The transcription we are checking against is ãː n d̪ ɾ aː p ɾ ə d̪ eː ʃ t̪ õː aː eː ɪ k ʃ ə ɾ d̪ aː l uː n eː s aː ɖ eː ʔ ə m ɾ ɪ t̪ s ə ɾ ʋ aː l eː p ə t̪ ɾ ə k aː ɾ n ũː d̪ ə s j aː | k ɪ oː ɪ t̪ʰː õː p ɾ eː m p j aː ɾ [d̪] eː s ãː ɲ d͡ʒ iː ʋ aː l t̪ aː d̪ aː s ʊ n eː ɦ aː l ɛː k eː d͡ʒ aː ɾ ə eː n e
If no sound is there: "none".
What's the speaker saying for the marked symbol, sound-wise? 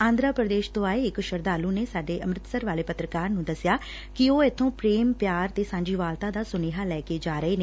t̪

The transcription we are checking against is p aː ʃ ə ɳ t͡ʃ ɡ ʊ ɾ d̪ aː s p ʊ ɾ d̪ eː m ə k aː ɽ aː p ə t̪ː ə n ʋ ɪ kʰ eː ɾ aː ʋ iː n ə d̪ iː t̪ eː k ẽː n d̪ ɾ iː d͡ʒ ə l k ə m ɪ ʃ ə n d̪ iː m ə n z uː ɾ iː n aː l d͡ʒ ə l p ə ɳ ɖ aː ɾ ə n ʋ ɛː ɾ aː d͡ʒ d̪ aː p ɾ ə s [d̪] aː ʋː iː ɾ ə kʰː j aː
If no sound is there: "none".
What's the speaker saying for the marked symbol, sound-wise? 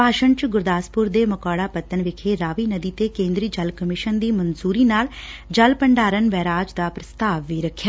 t̪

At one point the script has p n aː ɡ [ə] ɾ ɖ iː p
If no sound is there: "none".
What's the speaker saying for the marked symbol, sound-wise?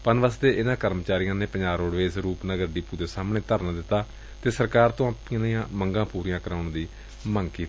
ə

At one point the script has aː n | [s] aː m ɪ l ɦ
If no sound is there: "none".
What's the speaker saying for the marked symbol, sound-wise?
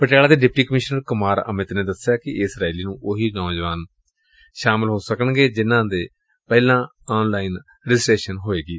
ʃ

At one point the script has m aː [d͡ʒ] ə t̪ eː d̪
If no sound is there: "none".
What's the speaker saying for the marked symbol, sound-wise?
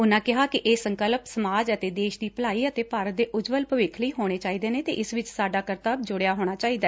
d͡ʒ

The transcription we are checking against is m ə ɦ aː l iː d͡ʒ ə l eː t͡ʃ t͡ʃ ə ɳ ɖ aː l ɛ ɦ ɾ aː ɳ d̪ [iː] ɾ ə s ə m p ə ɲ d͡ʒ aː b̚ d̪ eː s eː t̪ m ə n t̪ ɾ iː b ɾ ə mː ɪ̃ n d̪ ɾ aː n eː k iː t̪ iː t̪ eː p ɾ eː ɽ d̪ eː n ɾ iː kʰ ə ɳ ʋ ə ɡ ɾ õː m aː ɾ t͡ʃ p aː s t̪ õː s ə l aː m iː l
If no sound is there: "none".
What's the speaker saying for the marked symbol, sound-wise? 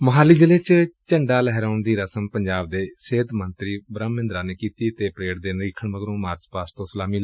iː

